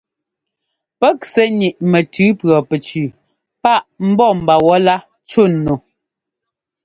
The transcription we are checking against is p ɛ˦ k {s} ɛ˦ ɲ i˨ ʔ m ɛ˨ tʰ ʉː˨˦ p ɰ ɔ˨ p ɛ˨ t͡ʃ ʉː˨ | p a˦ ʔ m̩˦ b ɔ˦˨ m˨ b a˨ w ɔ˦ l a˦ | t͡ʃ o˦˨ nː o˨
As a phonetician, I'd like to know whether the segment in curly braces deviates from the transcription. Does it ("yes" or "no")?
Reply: no